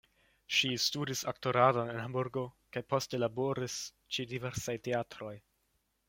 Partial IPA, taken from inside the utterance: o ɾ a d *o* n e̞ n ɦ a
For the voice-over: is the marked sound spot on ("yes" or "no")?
yes